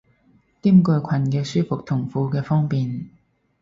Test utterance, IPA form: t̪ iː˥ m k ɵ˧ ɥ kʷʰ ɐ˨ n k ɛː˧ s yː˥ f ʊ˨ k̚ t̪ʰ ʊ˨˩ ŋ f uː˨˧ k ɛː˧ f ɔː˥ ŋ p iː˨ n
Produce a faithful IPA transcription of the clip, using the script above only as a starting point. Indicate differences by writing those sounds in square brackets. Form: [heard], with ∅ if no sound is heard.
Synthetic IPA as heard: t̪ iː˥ m k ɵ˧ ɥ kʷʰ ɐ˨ n k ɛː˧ s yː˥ f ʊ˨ k̚ t̪ʰ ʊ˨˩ ŋ f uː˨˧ k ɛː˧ f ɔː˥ ŋ p iː˨ n